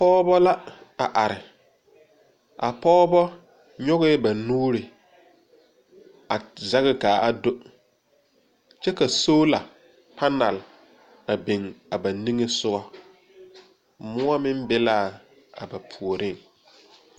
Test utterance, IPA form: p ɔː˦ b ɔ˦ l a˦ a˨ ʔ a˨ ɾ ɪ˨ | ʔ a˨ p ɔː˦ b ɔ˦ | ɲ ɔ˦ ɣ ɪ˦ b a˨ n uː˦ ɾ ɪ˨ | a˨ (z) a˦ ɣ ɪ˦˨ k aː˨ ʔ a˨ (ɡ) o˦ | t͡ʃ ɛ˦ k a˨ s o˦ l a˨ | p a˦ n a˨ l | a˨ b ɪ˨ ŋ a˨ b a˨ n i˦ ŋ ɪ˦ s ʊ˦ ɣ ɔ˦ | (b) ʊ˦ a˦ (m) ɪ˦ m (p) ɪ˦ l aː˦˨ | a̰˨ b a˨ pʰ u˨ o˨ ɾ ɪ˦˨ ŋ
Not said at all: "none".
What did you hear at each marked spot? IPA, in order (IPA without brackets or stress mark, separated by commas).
z, d, m, m, b